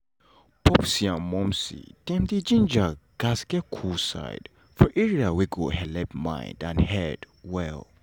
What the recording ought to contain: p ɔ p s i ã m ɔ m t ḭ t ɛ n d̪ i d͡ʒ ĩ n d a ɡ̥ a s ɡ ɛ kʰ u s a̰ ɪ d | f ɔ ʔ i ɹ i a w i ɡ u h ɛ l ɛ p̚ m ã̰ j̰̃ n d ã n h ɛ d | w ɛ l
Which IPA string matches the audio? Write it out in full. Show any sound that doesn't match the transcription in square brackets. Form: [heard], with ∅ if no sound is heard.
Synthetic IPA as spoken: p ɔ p s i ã m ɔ m [s] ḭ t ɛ [m] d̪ i d͡ʒ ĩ n [d͡ʒ] a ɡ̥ a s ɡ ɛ kʰ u s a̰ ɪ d | f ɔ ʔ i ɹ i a w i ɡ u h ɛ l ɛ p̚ m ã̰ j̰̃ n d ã n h ɛ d | w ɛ l

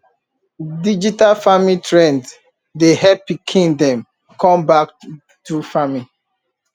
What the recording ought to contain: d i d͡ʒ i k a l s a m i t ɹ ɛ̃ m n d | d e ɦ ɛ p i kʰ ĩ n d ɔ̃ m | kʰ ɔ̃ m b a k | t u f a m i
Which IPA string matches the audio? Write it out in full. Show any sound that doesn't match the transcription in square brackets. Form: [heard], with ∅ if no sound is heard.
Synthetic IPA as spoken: d i d͡ʒ i [t] a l [f] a m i t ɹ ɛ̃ [∅] n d | d e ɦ ɛ p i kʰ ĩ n d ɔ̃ m | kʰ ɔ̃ m b a k | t u f a m i

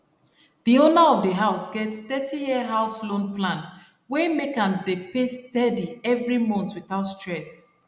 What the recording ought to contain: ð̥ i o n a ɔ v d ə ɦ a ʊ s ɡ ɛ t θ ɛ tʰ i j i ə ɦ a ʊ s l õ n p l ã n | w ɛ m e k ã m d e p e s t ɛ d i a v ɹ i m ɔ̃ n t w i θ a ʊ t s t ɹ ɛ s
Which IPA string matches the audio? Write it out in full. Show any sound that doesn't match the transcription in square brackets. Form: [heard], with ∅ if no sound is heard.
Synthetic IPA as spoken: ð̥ i o n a ɔ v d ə ɦ a ʊ s ɡ ɛ t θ ɛ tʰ i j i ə ɦ a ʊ s l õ n p l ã n | w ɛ m e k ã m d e p e s t ɛ d i [ɛ] v ɹ i m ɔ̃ n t w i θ a ʊ t s t ɹ ɛ s

